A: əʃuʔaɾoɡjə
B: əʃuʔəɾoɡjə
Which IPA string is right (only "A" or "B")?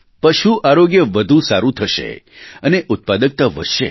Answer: A